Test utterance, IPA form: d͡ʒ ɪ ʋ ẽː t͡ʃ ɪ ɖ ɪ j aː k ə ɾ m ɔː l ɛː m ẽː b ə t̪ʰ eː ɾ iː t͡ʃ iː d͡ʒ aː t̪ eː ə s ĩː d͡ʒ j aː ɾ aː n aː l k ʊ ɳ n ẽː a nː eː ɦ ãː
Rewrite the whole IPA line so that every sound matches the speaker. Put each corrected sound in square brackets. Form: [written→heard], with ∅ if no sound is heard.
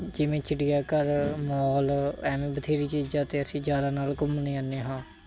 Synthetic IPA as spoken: d͡ʒ ɪ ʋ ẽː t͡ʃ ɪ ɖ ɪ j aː k ə ɾ m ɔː l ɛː m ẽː b ə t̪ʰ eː ɾ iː t͡ʃ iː d͡ʒ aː t̪ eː ə s ĩː d͡ʒ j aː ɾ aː n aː l k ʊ [ɳ→m] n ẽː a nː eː ɦ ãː